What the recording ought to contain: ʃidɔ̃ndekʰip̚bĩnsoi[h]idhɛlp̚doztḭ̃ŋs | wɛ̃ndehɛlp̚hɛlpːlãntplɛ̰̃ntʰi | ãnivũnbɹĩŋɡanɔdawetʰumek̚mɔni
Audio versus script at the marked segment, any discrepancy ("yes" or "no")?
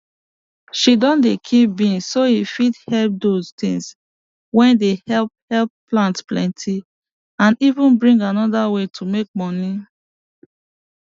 yes